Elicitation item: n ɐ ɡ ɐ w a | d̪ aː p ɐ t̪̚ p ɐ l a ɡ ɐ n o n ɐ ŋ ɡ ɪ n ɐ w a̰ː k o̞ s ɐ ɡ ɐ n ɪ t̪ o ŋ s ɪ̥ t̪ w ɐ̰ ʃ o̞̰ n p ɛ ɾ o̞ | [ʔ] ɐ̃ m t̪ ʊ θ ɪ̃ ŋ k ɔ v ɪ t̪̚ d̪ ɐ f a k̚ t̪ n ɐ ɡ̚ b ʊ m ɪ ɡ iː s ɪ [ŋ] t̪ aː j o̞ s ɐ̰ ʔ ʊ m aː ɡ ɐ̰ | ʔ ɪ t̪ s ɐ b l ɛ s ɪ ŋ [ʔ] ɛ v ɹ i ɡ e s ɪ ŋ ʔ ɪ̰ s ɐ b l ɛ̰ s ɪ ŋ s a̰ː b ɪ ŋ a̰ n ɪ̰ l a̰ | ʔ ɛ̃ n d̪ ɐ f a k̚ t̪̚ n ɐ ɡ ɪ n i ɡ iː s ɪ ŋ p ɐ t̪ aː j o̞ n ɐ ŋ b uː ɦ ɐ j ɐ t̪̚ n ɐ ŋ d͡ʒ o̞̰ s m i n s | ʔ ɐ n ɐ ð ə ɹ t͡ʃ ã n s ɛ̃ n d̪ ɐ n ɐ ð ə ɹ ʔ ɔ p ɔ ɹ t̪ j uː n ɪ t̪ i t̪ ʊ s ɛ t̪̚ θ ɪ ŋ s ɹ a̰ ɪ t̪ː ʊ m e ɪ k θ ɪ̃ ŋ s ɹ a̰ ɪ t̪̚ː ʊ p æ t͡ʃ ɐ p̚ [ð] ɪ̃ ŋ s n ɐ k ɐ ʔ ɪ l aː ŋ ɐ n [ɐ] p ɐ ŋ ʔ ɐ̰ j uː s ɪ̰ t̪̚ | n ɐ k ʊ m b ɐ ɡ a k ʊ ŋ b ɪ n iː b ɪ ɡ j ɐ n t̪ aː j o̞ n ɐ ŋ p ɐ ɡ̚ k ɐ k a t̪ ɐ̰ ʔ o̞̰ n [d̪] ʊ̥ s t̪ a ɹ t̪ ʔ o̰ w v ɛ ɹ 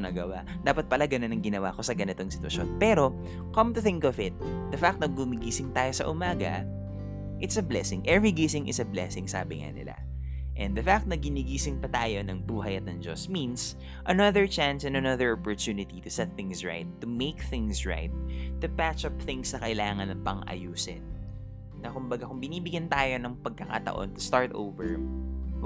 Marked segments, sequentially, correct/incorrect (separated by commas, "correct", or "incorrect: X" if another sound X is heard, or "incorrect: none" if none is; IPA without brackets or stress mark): incorrect: k, correct, correct, incorrect: θ, correct, incorrect: t̪